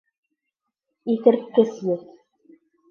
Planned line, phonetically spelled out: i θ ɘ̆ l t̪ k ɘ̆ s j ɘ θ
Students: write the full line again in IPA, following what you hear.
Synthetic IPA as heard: i θ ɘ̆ ɾ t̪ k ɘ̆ s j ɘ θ

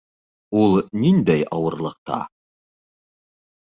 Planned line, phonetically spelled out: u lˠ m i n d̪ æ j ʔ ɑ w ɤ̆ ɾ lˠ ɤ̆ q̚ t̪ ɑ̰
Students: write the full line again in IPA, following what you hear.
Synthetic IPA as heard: u lˠ n i n d̪ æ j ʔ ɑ w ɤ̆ ɾ lˠ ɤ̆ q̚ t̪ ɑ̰

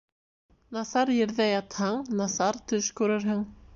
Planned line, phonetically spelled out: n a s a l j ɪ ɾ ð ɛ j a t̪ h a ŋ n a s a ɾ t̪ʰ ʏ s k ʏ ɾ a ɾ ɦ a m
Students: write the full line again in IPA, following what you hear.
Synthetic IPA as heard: n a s a ɾ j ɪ ɾ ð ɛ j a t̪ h a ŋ n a s a ɾ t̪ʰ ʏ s k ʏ ɾ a ɾ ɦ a ŋ

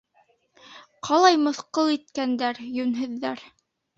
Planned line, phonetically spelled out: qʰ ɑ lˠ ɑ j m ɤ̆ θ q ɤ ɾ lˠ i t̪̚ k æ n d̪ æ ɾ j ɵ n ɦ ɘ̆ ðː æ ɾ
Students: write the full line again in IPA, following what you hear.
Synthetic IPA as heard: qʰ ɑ lˠ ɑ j m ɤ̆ θ q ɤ lˠ i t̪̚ k æ n d̪ æ ɾ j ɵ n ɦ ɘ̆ ðː æ ɾ

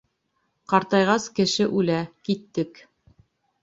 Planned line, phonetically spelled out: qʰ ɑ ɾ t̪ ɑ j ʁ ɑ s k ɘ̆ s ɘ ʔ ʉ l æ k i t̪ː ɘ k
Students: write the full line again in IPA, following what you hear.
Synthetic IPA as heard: q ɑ ɾ t̪ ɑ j ʁ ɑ s k ɘ̆ ʃ ɘ ʔ ʉ l æ k i t̪ː ɘ k

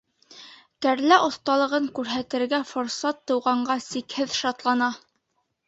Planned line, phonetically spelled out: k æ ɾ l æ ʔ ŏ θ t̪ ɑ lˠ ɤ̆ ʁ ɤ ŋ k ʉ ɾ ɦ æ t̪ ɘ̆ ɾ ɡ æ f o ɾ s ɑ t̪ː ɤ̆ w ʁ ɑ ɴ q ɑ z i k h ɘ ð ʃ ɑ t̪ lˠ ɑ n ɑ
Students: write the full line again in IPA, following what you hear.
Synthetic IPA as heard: k æ ɾ l æ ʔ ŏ θ t̪ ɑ lˠ ɤ̆ ʁ ɤ ŋ k ʉ ɾ ɦ æ t̪ ɘ̆ ɾ ɡ æ f o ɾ s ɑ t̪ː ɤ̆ w ʁ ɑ ɴ ɢ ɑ s i k h ɘ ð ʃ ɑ t̪ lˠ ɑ n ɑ

